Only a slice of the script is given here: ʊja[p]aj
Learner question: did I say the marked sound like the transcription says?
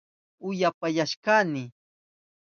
yes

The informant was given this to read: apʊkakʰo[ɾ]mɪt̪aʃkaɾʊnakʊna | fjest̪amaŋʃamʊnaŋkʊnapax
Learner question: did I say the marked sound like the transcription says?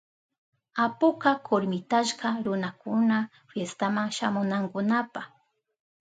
yes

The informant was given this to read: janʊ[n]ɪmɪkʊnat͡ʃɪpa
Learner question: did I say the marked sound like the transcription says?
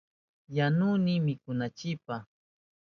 yes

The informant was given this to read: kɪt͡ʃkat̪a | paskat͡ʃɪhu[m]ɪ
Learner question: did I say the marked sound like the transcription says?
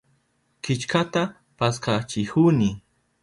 no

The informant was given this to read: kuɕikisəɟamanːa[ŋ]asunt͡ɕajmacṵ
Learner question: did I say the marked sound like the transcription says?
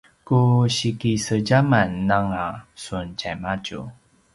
yes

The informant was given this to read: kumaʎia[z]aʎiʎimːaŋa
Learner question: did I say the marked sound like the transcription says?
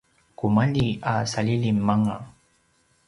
no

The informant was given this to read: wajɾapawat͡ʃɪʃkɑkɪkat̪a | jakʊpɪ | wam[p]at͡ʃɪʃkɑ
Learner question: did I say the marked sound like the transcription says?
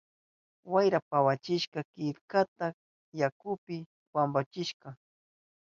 no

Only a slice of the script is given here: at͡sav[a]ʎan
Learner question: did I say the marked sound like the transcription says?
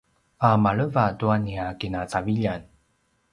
no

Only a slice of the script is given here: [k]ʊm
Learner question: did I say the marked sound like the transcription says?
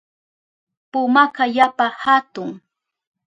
no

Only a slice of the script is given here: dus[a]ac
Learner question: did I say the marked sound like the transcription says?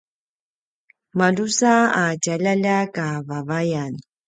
yes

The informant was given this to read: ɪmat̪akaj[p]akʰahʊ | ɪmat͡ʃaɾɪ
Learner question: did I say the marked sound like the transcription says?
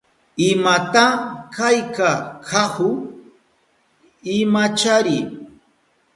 no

